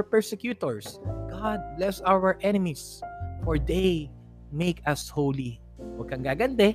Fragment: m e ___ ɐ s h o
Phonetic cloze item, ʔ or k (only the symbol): k